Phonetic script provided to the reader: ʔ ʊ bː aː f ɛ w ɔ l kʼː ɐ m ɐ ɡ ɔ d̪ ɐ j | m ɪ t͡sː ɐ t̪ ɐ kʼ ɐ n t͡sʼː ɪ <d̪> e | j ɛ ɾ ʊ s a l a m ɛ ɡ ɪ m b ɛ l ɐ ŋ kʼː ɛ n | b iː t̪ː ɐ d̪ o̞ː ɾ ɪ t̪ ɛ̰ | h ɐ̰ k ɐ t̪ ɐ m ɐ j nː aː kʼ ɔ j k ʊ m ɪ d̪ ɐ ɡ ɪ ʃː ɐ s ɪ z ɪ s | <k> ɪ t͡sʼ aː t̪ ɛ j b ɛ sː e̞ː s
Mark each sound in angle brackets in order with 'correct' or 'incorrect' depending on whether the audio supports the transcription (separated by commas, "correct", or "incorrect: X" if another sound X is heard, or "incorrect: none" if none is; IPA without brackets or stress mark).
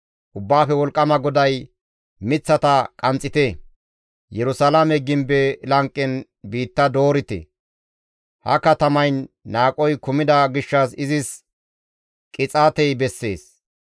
incorrect: t̪, incorrect: kʼ